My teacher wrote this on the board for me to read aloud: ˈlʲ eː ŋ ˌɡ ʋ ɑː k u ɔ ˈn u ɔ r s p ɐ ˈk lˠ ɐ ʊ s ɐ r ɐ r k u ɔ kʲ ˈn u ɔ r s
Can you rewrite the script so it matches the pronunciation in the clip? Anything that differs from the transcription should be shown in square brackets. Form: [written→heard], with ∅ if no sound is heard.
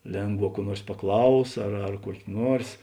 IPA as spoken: ˈlʲ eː ŋ ˌɡ ʋ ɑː k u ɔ ˈn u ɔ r s p ɐ ˈk lˠ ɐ ʊ s ɐ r ɐ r k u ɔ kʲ ˈn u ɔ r s